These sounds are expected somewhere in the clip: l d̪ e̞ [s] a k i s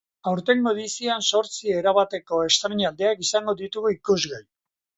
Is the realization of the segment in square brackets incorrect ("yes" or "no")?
yes